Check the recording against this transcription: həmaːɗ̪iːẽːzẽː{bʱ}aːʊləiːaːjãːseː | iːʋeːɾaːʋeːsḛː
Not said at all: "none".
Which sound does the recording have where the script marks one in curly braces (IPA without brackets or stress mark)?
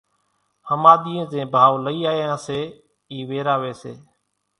bʱ